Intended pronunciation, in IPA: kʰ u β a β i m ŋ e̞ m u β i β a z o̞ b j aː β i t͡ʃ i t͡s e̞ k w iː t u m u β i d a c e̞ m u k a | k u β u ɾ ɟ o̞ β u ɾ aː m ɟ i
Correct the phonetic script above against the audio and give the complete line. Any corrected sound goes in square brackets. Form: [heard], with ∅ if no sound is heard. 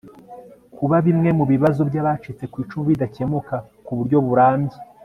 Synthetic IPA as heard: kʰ u β a β i m ŋ e̞ m u β i β a z o̞ b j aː β [a] t͡ʃ i t͡s e̞ k w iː [t͡ʃ] u m u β i d a c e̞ m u k a | k u β u ɾ ɟ o̞ β u ɾ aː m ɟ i